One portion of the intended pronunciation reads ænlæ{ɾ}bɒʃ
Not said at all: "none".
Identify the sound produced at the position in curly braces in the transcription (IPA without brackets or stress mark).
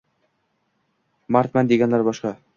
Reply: ɾ